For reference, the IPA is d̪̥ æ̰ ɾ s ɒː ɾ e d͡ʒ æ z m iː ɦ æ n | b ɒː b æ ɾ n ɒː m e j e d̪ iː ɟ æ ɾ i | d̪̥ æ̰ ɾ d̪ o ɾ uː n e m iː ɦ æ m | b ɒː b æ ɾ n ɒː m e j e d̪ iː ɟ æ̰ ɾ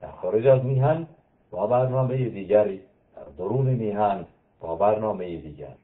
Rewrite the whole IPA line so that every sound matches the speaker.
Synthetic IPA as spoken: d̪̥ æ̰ ɾ x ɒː ɾ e d͡ʒ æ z m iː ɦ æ n | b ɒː b æ ɾ n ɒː m e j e d̪ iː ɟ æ ɾ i | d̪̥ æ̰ ɾ d̪ o ɾ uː n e m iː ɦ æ n | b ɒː b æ ɾ n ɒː m e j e d̪ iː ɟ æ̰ ɾ

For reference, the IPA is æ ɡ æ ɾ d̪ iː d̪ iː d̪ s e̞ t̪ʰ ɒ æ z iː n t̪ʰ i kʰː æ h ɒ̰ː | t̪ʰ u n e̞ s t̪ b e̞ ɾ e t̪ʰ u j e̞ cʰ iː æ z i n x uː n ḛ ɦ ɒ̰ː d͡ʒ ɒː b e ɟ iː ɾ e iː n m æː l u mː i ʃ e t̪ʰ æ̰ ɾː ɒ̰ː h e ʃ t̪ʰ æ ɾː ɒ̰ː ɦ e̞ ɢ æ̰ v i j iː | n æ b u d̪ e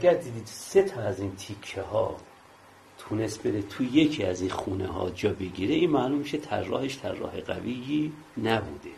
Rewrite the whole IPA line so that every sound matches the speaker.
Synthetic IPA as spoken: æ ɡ æ ɾ d̪ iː d̪ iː d̪ s e̞ t̪ʰ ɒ æ z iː n t̪ʰ i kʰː e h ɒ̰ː | t̪ʰ u n e̞ s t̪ b e̞ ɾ e t̪ʰ u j e̞ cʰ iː æ z i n x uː n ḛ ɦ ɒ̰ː d͡ʒ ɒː b e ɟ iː ɾ e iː n m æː l u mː i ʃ e t̪ʰ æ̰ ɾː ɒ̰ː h e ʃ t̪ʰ æ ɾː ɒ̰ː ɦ e̞ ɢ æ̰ v i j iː | n æ b u d̪ e

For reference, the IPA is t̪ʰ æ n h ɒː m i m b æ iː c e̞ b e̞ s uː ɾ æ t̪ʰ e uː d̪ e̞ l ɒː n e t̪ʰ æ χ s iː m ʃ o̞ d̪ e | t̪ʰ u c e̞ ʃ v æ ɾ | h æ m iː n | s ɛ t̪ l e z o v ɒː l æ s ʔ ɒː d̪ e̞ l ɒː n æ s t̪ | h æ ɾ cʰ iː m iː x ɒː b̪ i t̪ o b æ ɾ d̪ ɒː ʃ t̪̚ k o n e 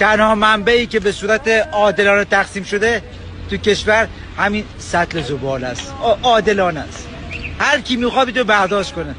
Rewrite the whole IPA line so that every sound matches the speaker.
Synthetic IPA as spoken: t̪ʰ æ n h ɒː m æ m b æ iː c e̞ b e̞ s uː ɾ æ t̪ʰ e ɒː d̪ e̞ l ɒː n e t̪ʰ æ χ s iː m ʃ o̞ d̪ e | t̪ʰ u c e̞ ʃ v æ ɾ | h æ m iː n | s æ t̪ l e z o b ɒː l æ s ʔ ɒː d̪ e̞ l ɒː n æ s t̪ | h æ ɾ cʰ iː m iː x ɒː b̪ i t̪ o b æ ɾ d̪ ɒː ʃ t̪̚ k o n e

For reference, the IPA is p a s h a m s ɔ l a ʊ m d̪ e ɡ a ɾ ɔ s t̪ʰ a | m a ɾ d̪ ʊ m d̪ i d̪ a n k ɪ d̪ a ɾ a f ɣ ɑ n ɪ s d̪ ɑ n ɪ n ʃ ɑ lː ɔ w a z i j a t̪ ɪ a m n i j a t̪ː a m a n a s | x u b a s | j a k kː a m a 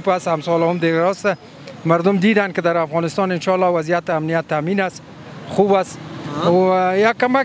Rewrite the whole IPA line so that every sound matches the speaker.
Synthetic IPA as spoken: p a s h a m s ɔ l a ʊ m d̪ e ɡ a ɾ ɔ s t̪ a | m a ɾ d̪ ʊ m d̪ i d̪ a n k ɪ d̪ a ɾ a f ɣ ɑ n ɪ s t̪ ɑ n ɪ n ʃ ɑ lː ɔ w a z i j a t̪ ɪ a m n i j a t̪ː a m i n a s | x u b a s | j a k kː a m a

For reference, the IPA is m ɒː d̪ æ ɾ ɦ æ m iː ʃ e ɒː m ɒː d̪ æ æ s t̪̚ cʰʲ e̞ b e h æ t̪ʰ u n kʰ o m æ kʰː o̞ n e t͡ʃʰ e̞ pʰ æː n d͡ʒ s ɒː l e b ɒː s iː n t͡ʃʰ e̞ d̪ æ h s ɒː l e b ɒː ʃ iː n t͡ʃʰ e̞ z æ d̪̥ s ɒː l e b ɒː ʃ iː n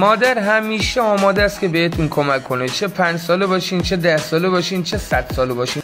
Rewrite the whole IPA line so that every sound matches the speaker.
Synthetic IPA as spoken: m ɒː d̪ æ ɾ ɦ æ m iː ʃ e ɒː m ɒː d̪ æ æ s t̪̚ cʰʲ e̞ b e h e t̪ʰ u n kʰ o m æ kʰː o̞ n e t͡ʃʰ e̞ pʰ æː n d͡ʒ s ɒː l e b ɒː ʃ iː n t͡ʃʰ e̞ d̪ æ h s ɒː l e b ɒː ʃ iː n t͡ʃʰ e̞ s æ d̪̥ s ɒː l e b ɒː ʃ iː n

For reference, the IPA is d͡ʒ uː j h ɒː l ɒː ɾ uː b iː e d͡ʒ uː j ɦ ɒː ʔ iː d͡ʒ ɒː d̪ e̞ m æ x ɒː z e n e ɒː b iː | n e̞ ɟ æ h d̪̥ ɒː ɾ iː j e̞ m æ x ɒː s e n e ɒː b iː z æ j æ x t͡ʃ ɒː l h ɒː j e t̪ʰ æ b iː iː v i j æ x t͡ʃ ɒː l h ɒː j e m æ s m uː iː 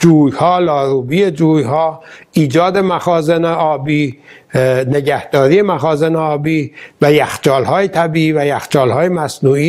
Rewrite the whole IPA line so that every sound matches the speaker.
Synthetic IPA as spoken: d͡ʒ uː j h ɒː l ɒː ɾ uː b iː e d͡ʒ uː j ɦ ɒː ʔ iː d͡ʒ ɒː d̪ e̞ m æ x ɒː z e n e ɒː b iː | n e̞ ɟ æ h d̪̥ ɒː ɾ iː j e̞ m æ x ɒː z e n e ɒː b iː v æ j æ x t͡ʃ ɒː l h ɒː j e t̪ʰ æ b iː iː v æ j æ x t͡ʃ ɒː l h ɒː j e m æ s n uː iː

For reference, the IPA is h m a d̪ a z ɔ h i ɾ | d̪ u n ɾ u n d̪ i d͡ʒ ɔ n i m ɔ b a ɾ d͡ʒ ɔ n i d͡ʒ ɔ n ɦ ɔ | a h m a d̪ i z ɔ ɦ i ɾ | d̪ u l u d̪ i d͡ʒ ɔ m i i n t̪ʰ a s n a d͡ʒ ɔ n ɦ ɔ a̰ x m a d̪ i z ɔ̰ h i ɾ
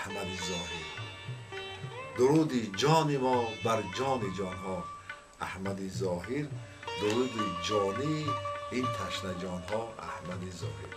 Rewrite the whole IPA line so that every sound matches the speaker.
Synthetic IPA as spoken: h m a d̪ i z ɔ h i ɾ | d̪ u ɾ u d̪ i d͡ʒ ɔ n i m ɔ b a ɾ d͡ʒ ɔ n i d͡ʒ ɔ n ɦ ɔ | a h m a d̪ i z ɔ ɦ i ɾ | d̪ u ɾ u d̪ i d͡ʒ ɔ n i i n t̪ʰ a ʃ n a d͡ʒ ɔ n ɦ ɔ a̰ h m a d̪ i z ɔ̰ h i ɾ

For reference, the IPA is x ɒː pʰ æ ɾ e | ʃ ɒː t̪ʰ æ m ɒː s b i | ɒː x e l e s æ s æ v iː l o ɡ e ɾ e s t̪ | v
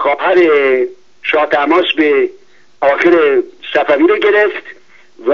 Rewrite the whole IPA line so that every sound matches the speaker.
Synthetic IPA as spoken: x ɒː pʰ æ ɾ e | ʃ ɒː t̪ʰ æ m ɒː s b e | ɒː x e ɾ e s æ f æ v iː ɾ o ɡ e ɾ e f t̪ | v

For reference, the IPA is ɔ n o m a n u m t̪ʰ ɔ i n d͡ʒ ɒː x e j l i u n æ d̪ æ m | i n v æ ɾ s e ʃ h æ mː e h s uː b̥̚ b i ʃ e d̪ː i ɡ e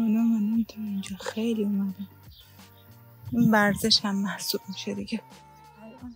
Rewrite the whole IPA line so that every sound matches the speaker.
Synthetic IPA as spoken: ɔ n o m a n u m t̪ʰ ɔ i n d͡ʒ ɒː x e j l i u m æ d̪ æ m | i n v æ ɾ z e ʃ h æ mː æ h s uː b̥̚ m i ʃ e d̪ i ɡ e

